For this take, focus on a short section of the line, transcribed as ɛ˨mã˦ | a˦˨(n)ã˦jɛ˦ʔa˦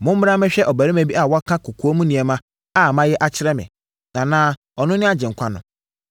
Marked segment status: incorrect: m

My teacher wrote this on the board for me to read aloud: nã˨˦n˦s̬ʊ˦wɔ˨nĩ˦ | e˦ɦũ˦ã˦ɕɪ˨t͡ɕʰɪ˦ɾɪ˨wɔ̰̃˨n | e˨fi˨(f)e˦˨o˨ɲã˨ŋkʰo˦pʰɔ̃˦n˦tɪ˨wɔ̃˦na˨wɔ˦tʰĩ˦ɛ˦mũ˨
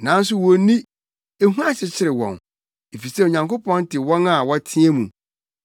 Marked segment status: incorrect: s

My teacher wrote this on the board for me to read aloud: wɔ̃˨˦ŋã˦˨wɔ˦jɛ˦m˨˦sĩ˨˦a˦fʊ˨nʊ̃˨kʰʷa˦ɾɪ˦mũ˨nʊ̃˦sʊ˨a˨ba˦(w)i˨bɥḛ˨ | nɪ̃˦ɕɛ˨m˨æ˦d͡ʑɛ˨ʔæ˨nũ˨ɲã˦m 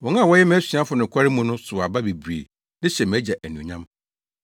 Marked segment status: incorrect: b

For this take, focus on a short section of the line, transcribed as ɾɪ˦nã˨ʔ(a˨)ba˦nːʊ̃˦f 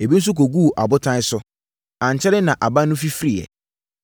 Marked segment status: correct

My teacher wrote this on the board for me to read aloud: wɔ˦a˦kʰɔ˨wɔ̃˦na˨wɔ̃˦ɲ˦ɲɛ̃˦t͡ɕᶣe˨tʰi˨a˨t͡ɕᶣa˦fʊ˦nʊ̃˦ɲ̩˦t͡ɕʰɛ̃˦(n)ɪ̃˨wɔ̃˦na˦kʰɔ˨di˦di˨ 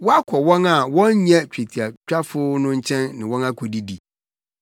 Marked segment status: incorrect: nː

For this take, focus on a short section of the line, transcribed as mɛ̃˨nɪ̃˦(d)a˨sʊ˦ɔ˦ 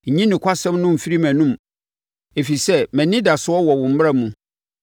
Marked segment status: correct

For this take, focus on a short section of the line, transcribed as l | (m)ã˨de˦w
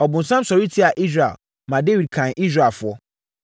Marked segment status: correct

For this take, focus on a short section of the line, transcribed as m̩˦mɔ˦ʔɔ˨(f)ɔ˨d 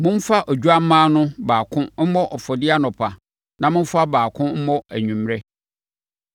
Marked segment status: correct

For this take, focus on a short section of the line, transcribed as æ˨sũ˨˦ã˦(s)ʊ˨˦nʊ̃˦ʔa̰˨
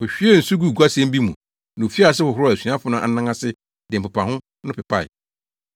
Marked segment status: incorrect: f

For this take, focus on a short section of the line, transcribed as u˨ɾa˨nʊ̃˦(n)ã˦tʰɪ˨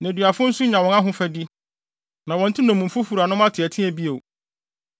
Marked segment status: incorrect: m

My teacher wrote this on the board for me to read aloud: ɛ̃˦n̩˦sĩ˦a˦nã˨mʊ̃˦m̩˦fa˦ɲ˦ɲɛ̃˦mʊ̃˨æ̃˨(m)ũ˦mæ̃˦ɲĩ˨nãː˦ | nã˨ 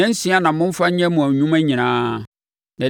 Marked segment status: incorrect: ɲ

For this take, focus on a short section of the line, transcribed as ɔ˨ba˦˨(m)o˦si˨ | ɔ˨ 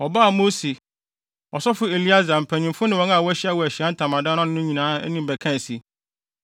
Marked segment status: correct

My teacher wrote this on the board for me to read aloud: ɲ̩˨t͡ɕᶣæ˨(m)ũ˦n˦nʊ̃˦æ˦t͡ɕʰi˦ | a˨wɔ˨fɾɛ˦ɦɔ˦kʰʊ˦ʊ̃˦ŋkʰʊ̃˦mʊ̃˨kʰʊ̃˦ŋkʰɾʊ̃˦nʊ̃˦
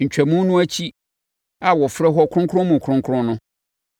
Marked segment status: correct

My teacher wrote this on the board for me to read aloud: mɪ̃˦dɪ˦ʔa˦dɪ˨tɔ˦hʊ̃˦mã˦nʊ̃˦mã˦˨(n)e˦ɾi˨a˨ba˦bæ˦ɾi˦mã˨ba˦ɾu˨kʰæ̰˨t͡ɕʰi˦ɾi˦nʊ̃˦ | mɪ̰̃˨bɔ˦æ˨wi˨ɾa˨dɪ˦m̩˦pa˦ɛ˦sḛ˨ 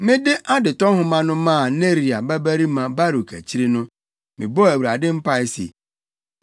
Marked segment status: correct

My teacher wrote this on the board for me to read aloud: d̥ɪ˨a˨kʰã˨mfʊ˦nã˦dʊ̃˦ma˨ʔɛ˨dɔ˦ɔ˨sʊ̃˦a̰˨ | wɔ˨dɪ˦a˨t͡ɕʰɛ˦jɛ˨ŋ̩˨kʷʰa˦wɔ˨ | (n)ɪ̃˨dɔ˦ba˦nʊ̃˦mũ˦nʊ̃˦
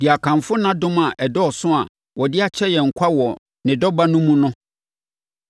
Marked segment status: correct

